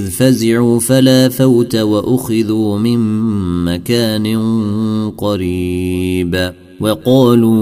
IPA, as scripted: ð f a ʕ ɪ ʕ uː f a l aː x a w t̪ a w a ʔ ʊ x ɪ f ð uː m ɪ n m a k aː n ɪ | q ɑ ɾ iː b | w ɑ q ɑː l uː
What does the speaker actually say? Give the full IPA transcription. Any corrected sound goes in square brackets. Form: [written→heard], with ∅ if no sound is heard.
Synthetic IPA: ð f a [ʕ→z] ɪ ʕ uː f a l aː [x→f] a w t̪ a w a ʔ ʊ x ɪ [f→∅] ð uː m ɪ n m a k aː n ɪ | q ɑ ɾ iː b | w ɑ q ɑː l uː